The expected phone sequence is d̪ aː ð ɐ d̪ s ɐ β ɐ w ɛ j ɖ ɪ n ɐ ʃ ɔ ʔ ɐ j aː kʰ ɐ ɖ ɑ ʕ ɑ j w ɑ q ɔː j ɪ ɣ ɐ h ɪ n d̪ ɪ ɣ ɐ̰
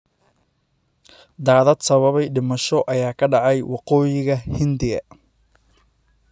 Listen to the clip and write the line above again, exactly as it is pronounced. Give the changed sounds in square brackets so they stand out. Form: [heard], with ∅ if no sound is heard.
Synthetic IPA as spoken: d̪ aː ð ɐ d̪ s ɐ β ɐ [β] ɛ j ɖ ɪ [m] ɐ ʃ ɔ ʔ ɐ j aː kʰ ɐ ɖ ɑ ʕ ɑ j w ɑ q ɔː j ɪ ɣ ɐ h ɪ n d̪ ɪ ɣ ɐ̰